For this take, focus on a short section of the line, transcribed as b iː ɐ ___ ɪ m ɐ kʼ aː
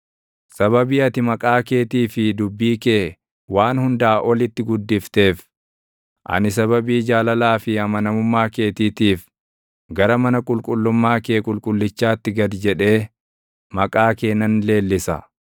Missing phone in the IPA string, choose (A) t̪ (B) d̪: A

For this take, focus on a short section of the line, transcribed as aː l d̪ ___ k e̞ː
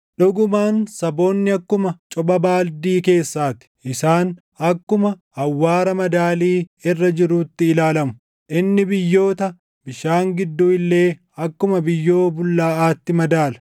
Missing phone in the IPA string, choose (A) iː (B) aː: A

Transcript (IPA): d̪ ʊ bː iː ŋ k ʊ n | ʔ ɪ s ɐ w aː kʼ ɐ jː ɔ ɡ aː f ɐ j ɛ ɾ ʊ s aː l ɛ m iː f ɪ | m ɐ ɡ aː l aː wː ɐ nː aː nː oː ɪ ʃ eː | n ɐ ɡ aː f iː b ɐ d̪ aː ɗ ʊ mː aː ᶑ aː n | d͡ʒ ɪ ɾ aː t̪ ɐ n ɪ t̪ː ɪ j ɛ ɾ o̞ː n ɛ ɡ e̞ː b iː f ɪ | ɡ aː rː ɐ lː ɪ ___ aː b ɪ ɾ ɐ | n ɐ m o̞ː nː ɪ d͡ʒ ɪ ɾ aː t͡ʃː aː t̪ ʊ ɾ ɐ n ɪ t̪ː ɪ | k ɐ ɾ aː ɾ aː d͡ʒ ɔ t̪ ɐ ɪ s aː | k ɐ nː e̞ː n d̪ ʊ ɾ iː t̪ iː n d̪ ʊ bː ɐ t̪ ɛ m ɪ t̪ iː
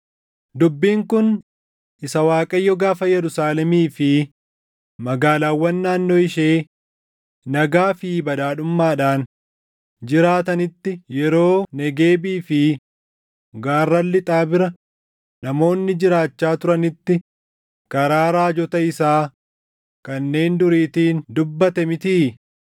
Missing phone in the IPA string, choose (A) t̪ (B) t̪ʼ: B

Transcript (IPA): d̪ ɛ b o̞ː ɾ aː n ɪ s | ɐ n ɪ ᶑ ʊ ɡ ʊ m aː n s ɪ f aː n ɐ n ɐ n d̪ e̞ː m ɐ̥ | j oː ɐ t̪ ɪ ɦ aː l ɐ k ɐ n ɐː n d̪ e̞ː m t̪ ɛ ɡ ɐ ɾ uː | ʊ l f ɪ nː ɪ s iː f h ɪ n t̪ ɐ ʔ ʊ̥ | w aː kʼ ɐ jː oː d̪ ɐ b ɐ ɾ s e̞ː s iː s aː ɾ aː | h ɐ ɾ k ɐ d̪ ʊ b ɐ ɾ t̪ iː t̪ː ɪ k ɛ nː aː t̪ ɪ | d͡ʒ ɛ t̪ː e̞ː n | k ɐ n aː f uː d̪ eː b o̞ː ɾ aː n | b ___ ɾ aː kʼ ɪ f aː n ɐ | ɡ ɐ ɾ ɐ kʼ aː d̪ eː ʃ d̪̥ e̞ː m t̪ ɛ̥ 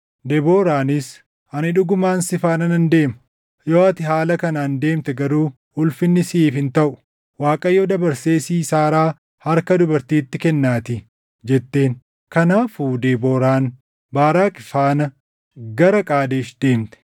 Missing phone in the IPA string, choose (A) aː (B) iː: A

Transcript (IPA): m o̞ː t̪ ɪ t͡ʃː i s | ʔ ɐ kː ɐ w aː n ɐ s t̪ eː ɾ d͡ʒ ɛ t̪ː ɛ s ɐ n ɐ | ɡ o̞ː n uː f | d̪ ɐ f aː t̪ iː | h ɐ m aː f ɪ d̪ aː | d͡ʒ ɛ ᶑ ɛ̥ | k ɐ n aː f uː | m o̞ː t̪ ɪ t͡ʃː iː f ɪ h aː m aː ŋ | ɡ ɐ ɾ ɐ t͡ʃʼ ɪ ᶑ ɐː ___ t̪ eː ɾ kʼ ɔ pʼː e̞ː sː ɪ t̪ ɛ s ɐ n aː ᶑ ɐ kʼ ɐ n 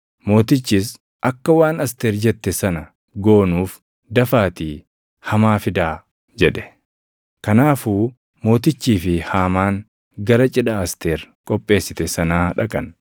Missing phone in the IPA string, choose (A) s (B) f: A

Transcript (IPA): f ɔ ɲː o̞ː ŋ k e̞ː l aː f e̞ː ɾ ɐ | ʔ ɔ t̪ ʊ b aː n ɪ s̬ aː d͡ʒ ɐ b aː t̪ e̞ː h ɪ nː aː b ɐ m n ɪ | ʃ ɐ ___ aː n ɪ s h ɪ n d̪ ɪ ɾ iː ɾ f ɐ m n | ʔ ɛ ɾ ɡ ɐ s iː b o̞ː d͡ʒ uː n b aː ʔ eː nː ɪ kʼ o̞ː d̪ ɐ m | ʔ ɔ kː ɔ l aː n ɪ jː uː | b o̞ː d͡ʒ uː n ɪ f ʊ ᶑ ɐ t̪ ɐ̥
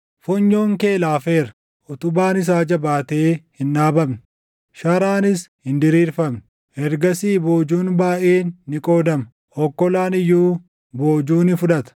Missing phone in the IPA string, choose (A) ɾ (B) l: A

